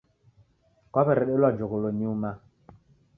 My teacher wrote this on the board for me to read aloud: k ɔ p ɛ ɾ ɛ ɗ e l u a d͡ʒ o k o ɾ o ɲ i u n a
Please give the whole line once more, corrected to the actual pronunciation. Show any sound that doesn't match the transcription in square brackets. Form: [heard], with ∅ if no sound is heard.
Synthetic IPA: k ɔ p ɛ ɾ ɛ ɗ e l [w] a d͡ʒ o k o [l] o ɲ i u [m] a